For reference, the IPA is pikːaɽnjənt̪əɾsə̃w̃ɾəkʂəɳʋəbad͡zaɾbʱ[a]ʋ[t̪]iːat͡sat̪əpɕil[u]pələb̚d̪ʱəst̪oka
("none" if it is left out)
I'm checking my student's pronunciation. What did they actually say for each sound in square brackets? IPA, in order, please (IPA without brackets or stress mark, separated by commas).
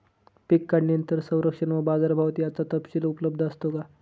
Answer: a, t̪, u